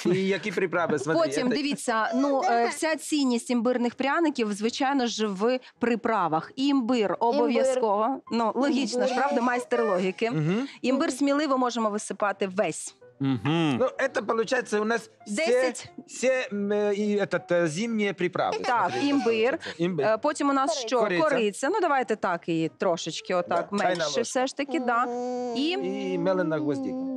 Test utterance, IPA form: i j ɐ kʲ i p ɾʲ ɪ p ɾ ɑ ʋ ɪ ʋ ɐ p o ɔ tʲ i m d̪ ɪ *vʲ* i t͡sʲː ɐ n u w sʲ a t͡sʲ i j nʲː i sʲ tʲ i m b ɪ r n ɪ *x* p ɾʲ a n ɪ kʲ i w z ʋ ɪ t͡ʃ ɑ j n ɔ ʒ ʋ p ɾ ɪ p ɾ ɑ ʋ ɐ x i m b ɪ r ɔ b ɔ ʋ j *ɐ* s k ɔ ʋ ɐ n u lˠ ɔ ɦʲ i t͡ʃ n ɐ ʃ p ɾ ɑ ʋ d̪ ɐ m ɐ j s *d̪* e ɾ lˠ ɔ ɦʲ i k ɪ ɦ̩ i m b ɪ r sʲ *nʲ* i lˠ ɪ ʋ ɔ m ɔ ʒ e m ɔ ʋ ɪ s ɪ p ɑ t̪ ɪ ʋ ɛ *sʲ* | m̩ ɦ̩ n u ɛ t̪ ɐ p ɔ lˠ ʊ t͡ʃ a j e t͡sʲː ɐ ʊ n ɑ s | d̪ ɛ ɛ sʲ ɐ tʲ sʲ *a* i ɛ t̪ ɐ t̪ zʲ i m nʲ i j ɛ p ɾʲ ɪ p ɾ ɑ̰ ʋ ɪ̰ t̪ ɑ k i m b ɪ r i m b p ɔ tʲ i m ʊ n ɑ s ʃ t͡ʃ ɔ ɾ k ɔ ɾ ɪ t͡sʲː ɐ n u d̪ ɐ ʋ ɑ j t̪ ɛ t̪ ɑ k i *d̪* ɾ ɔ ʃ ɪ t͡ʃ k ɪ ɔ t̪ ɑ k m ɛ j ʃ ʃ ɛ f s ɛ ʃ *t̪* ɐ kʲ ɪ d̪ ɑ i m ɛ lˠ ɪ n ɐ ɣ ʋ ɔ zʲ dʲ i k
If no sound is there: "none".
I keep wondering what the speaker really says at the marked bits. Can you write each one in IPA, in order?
ʋʲ, x, ɐ, t̪, mʲ, sʲ, ɛ, t̪, t̪

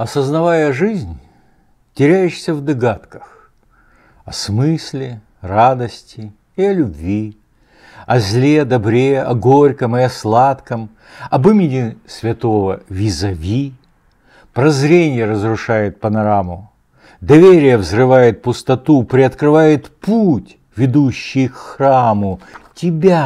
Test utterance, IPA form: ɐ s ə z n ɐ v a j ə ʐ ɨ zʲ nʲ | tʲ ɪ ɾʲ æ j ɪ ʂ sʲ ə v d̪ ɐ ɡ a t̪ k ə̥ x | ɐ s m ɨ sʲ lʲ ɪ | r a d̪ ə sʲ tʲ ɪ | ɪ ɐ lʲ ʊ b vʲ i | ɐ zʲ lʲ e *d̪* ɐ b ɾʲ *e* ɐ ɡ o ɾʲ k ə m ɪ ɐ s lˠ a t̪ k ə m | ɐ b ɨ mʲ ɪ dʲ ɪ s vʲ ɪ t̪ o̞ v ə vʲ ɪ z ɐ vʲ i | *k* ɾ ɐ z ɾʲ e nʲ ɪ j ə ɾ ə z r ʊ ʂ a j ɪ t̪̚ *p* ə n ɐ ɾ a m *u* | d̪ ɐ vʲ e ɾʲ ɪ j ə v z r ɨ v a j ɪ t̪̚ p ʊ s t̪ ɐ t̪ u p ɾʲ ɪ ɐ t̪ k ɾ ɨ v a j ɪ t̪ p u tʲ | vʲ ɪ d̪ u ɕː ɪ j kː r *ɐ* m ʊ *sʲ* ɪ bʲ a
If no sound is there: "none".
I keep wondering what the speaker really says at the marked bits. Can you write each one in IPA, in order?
d̪, e, p, p, ʊ, a, tʲ

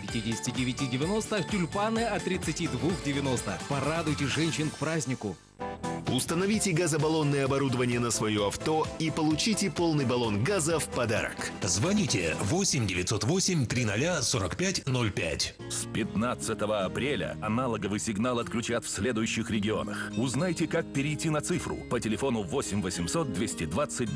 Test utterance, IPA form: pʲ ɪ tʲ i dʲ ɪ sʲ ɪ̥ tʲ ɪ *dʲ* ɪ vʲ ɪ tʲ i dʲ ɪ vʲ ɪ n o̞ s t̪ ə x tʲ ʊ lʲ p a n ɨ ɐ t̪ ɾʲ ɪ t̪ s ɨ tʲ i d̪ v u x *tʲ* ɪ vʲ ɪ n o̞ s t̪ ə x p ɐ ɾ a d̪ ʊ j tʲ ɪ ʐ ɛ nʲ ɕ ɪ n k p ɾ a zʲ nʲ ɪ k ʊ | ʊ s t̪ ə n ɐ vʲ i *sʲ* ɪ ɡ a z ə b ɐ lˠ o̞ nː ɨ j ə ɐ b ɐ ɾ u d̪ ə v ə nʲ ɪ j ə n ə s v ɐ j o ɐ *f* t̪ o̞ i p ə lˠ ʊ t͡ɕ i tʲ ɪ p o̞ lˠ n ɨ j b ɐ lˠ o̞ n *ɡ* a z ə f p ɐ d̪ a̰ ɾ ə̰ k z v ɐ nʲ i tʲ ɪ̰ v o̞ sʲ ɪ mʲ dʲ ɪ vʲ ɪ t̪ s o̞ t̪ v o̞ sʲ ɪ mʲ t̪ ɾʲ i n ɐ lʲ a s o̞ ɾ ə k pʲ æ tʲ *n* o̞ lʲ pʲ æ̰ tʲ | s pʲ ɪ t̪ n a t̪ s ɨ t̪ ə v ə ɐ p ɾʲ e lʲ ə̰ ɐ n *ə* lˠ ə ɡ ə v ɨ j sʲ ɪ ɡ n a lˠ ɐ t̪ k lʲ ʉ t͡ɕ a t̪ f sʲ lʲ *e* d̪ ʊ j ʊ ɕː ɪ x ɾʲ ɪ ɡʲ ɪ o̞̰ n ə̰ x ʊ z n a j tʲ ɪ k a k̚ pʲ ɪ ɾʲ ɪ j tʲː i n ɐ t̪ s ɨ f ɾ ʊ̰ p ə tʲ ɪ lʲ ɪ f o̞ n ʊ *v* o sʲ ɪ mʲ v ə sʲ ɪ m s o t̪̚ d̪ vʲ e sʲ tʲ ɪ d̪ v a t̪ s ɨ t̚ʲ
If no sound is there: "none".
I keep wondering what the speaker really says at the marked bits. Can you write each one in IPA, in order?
dʲ, dʲ, tʲ, f, ɡ, n, a, e, v

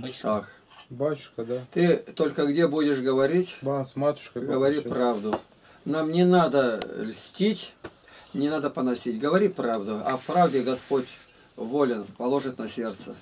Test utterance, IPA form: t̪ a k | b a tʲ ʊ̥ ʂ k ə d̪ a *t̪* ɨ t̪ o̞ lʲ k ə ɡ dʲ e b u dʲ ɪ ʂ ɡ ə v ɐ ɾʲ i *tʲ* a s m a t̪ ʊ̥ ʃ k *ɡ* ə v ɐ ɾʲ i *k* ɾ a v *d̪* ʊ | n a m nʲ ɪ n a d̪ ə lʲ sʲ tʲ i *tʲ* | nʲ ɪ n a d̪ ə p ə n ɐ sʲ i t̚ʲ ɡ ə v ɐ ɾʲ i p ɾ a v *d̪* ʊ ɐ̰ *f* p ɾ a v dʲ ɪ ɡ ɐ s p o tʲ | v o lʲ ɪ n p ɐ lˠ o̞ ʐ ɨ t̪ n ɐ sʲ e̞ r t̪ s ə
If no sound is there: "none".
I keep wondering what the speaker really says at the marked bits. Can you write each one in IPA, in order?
t̪, tʲ, ɡ, p, d̪, tʲ, d̪, f

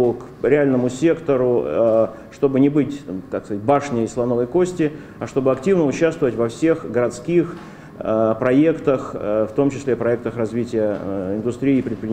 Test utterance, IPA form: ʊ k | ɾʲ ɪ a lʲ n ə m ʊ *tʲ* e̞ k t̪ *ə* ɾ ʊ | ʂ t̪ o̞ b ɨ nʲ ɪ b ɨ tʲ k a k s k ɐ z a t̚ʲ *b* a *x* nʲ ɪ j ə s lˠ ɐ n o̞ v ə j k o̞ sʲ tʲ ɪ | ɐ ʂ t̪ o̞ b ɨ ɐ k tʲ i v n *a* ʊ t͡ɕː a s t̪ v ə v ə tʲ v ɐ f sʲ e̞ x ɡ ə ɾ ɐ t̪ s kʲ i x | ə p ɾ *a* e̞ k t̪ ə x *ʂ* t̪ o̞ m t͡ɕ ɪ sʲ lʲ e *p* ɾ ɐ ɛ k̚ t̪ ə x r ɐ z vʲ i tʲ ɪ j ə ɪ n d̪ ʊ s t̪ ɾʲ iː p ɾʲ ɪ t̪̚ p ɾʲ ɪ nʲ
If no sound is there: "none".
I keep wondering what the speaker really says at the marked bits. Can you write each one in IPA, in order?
sʲ, ə, b, ʂ, ə, ɐ, f, p

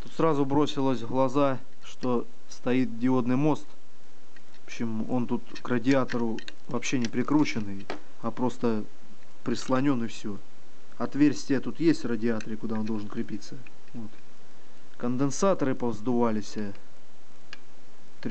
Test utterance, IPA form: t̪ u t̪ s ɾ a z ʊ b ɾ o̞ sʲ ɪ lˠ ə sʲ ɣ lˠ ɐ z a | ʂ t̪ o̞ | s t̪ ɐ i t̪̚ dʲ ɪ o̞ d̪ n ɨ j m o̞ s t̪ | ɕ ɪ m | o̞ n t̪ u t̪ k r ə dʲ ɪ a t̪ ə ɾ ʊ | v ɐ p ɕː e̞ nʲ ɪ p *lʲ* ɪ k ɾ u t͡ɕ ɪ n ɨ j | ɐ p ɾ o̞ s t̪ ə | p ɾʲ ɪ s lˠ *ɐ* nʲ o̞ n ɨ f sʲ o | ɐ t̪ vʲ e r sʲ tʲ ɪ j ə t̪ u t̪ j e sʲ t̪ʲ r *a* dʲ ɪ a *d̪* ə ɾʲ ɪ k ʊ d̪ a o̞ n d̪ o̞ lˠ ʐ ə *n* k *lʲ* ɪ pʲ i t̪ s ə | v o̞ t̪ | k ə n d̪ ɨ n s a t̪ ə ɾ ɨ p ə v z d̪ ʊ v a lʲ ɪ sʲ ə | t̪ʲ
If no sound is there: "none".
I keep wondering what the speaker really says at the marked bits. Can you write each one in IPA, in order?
ɾʲ, ɐ, ə, t̪, n, ɾʲ

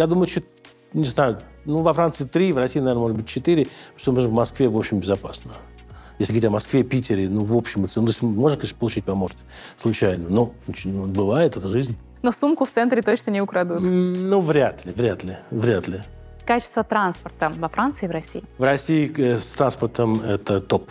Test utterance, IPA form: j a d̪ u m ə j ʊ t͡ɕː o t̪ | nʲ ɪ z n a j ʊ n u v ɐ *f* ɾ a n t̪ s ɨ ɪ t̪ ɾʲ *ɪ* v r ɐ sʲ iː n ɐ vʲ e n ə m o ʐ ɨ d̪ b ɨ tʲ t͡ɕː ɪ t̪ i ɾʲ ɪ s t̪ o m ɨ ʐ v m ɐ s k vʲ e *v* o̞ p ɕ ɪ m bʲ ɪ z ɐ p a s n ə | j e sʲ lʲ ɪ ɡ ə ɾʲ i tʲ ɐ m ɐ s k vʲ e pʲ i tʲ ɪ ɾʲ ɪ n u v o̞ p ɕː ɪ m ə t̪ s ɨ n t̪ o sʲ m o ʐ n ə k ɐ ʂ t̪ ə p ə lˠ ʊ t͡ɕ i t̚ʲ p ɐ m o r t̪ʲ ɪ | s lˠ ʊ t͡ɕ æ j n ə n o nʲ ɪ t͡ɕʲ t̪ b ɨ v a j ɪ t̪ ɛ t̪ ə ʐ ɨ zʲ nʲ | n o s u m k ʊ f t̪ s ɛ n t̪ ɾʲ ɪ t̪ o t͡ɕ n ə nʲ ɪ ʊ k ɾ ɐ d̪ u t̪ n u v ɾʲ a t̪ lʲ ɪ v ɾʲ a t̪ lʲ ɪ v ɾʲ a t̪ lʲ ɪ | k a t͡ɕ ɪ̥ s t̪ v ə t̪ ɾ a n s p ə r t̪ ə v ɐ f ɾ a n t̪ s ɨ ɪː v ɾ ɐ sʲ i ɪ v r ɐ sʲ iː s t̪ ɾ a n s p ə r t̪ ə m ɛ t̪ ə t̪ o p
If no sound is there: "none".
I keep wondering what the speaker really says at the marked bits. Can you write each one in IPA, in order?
f, i, v

